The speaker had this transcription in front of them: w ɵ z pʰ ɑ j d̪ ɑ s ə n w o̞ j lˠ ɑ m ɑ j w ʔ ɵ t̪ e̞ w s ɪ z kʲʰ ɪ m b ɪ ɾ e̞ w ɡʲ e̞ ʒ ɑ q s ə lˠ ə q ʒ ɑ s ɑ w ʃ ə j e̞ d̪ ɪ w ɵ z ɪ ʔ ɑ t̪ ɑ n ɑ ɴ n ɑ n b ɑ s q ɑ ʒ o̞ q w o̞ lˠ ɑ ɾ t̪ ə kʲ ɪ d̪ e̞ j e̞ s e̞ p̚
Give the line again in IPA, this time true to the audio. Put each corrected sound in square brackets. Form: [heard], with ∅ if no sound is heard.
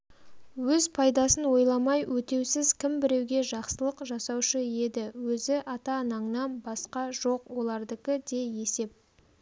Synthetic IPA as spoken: w ɵ z pʰ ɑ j d̪ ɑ s ə n w o̞ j lˠ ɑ m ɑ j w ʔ ɵ t̪ e̞ w s ɪ z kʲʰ ɪ m b ɪ ɾ e̞ w ɡʲ e̞ ʒ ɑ q s ə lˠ ə q ʒ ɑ s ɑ w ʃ ə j e̞ d̪ ɪ w ɵ z ɪ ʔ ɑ t̪ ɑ n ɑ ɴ n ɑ n b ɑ s q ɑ ʒ o̞ q w o̞ lˠ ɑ ɾ [d̪] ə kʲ ɪ d̪ e̞ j e̞ s e̞ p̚